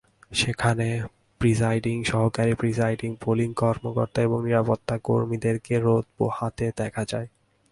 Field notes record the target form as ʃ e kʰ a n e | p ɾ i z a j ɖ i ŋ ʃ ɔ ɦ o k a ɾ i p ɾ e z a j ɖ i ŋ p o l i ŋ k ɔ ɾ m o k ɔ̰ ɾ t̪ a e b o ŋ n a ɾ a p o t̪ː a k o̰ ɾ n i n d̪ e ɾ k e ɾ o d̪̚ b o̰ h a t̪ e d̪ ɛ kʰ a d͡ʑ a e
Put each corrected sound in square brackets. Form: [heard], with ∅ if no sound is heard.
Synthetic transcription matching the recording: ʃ e kʰ a n e | p ɾ i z a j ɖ i ŋ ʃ ɔ ɦ o k a ɾ i p ɾ [i] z a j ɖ i ŋ p o l i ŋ k ɔ ɾ m o k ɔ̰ ɾ t̪ a e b o ŋ n [i] ɾ a p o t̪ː a k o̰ ɾ [m] i [∅] d̪ e ɾ k e ɾ o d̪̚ b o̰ h a t̪ e d̪ ɛ kʰ a d͡ʑ a e